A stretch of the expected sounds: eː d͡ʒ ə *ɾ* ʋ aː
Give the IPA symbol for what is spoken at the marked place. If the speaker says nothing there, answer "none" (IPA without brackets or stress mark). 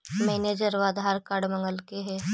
ɾ